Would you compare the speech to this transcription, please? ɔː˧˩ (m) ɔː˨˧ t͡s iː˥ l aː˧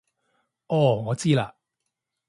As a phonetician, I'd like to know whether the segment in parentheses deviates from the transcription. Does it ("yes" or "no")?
yes